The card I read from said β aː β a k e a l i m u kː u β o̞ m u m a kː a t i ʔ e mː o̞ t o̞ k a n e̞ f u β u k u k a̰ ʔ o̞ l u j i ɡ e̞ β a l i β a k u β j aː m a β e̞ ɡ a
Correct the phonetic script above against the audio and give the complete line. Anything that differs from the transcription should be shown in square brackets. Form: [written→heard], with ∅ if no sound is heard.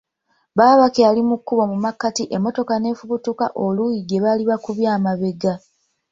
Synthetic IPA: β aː β a k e a l i m u kː u β o̞ m u m a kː a t i ʔ e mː o̞ t o̞ k a n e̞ f u β u [k→t] u k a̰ ʔ o̞ l u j i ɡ e̞ β a l i β a k u β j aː m a β e̞ ɡ a